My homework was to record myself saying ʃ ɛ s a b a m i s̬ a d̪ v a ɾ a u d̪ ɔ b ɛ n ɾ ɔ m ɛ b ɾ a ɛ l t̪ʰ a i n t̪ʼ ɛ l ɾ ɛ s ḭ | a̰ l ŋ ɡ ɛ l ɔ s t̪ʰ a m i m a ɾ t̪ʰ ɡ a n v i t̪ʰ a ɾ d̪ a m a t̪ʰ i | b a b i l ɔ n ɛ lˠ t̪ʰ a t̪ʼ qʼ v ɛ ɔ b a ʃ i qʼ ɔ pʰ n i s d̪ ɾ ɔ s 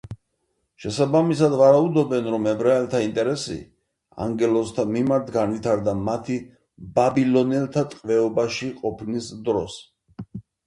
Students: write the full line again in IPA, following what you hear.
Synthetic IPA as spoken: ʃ ɛ s a b a m i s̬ a d̪ v a ɾ a u d̪ ɔ b ɛ n ɾ ɔ m ɛ b ɾ a ɛ l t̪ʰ a i n t̪ʼ ɛ ɾ ɛ s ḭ | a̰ ŋ ɡ ɛ l ɔ s t̪ʰ a m i m a ɾ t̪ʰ ɡ a n v i t̪ʰ a ɾ d̪ a m a t̪ʰ i | b a b i l ɔ n ɛ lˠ t̪ʰ a t̪ʼ qʼ v ɛ ɔ b a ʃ i qʼ ɔ pʰ n i s d̪ ɾ ɔ s